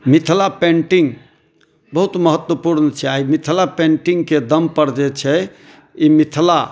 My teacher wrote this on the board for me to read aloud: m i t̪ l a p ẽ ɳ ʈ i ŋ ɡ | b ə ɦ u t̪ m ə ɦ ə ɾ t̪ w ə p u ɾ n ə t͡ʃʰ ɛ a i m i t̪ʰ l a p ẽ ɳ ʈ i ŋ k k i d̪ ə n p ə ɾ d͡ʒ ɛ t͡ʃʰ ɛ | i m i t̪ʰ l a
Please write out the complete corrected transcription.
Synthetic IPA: m i t̪ʰ l a p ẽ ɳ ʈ i ŋ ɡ | b ə ɦ u t̪ m ə ɦ ə t̪ w ə p u ɾ n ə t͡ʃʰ ɛ a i m i t̪ʰ l a p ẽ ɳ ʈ i ŋ ɡ k e d̪ ə m p ə ɾ d͡ʒ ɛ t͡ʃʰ ɛ | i m i t̪ʰ l a

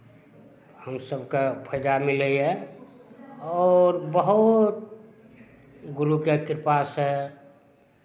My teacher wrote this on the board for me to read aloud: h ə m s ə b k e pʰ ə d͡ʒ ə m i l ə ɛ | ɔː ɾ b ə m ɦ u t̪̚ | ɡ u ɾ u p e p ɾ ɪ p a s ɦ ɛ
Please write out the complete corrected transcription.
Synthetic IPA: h ə m s ə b k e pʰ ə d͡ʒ a m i l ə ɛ | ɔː ɾ b ə ɦ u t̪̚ | ɡ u ɾ u k e k ɾ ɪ p a s ɦ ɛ

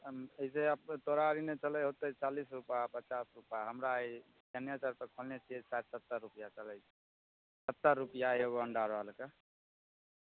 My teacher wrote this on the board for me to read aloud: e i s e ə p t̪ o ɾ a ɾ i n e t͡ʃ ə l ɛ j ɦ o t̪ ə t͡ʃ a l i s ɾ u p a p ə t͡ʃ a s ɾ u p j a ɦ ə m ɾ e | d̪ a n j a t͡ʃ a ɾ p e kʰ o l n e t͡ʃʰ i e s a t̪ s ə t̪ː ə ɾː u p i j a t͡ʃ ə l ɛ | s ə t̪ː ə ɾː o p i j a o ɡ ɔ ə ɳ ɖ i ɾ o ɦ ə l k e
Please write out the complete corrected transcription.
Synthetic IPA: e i s e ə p t̪ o ɾ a ɾ i n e t͡ʃ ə l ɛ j ɦ o t̪ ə t͡ʃ a l i s ɾ u p a p ə t͡ʃ a s ɾ u p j a ɦ ə m ɾ a | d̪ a n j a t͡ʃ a ɾ p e kʰ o l n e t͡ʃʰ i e s a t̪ s ə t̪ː ə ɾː u p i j a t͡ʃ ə l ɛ | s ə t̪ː ə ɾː u p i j a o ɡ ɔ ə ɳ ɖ a ɾ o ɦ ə l k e

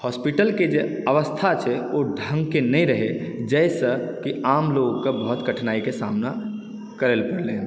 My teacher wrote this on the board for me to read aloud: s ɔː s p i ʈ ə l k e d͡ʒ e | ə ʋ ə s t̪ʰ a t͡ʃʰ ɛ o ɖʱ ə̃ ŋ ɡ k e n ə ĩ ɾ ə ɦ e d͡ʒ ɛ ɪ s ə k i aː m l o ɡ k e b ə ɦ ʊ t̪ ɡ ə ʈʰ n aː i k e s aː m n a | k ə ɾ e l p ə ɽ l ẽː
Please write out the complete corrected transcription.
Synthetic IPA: h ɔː s p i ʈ ə l k e d͡ʒ e | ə ʋ ə s t̪ʰ a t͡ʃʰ ɛ o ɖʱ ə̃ ŋ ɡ k e n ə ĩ ɾ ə ɦ e d͡ʒ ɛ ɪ s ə k i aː m l o ɡ k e b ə ɦ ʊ t̪ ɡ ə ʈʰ n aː i k e s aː m n a | k ə ɾ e l p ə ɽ l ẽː

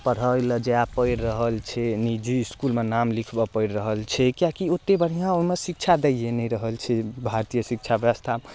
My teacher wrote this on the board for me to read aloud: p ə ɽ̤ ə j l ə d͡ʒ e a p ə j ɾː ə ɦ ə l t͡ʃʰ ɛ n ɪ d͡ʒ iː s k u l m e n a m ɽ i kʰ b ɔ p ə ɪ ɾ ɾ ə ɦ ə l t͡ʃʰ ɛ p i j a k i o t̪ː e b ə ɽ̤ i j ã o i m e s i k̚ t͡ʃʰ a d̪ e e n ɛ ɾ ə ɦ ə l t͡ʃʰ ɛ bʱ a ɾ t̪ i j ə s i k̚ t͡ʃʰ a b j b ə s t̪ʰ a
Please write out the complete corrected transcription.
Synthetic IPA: p ə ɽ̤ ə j l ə d͡ʒ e a p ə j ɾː ə ɦ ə l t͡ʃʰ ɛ n i d͡ʒ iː s k u l m e n a m l i kʰ b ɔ p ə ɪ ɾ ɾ ə ɦ ə l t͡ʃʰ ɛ k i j a k i o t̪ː e b ə ɽ̤ i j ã o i m e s i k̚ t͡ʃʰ a d̪ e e n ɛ ɾ ə ɦ ə l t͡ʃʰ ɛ bʱ a ɾ t̪ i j ə s i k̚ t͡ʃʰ a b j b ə s t̪ʰ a

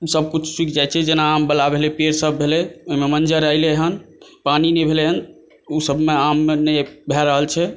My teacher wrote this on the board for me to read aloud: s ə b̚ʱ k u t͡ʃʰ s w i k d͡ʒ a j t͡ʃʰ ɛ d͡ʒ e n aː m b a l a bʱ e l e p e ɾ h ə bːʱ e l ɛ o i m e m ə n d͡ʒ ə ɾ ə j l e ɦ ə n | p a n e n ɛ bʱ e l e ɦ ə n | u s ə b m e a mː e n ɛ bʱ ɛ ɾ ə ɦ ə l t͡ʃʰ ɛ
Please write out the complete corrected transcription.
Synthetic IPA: s ə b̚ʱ k u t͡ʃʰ s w i k d͡ʒ a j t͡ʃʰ ɛ d͡ʒ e n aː m b ə l a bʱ e l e p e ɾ s ə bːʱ e l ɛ o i m e m ə n d͡ʒ ə ɾ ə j l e ɦ ə n | p a n i n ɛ bʱ e l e ɦ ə n | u s ə b m e a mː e n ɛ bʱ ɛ ɾ ə ɦ ə l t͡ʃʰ ɛ

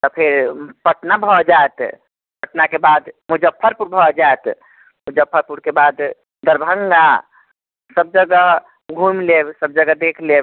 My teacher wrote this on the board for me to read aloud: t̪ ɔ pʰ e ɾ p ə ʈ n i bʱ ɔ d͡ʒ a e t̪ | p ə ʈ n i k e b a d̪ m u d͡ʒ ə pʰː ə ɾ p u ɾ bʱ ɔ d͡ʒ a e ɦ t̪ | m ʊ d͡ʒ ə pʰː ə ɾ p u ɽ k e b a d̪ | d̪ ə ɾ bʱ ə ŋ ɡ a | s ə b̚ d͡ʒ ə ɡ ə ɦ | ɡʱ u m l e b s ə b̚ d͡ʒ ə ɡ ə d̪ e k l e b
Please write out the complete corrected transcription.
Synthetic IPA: t̪ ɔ pʰ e ɾ p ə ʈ n a bʱ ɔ d͡ʒ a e t̪ | p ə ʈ n a k e b a d̪ m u d͡ʒ ə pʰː ə ɾ p u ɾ bʱ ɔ d͡ʒ a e t̪ | m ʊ d͡ʒ ə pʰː ə ɾ p u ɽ k e b a d̪ | d̪ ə ɾ bʱ ə ŋ ɡ a | s ə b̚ d͡ʒ ə ɡ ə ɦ | ɡʱ u m l e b s ə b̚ d͡ʒ ə ɡ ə d̪ e kʰ l e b

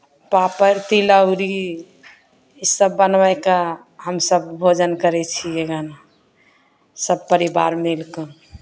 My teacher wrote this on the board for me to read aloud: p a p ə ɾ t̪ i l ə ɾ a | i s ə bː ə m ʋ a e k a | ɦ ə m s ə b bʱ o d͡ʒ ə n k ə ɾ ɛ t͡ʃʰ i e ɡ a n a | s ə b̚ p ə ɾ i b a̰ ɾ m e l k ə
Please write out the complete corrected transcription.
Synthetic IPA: p a p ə ɾ t̪ i l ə ɾ i | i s ə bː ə n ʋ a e k a | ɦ ə m s ə b bʱ o d͡ʒ ə n k ə ɾ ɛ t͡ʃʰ i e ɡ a n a | s ə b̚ p ə ɾ i b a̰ ɾ m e l k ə

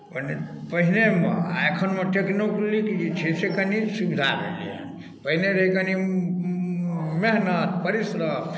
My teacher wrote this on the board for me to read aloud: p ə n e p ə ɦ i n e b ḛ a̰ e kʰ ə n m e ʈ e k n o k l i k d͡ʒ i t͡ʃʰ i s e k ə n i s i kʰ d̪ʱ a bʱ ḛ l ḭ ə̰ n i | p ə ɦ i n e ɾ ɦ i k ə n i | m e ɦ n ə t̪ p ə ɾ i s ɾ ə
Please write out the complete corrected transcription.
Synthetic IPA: p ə n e p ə ɦ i n e m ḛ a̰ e kʰ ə n m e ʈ e k n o k l i k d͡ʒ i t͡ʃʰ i s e k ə n i s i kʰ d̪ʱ a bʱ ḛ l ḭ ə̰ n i | p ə ɦ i n e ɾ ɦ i k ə n i | m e ɦ n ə t̪ p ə ɾ i s ɾ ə

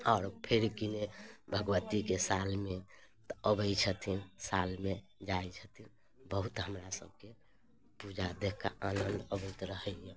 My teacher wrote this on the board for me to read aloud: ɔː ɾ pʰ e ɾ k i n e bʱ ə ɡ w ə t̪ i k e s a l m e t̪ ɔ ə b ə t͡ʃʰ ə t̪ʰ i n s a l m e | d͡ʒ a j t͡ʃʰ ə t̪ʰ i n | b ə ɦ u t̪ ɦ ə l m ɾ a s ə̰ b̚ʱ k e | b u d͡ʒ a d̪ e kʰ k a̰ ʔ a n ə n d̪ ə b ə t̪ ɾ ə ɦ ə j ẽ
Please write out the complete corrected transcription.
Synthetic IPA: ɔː ɾ pʰ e ɾ k i n e bʱ ə ɡ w ə t̪ i k e s a l m e t̪ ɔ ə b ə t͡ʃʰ ə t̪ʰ i n s a l m e | d͡ʒ a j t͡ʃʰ ə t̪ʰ i n | b ə ɦ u t̪ ɦ ə m ɾ a s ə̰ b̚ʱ k e | p u d͡ʒ a d̪ e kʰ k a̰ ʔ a n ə n d̪ ə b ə t̪ ɾ ə ɦ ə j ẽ

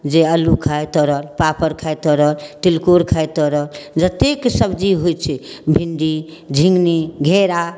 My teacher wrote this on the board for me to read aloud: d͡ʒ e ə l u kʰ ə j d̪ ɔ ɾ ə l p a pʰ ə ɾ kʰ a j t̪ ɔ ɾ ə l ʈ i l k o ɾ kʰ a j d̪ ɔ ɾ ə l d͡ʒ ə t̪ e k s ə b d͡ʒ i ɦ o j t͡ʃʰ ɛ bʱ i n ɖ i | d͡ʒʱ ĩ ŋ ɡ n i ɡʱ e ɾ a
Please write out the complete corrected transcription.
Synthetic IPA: d͡ʒ e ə l u kʰ a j t̪ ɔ ɾ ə l p a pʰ ə ɾ kʰ a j t̪ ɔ ɾ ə l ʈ i l k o ɾ kʰ a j t̪ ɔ ɾ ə l d͡ʒ ə t̪ e k s ə b d͡ʒ i ɦ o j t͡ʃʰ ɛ bʱ i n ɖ i | d͡ʒʱ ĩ ŋ ɡ n i ɡʱ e ɾ a

